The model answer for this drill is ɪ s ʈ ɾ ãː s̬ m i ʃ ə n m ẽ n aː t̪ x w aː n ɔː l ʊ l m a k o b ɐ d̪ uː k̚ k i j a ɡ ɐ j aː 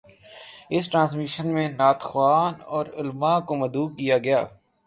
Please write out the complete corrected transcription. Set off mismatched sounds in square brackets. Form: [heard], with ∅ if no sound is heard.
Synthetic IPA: ɪ s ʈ ɾ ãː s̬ m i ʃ ə n m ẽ n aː t̪ x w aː n ɔː [ɾ] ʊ l m a k o [m] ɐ d̪ uː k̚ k i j a ɡ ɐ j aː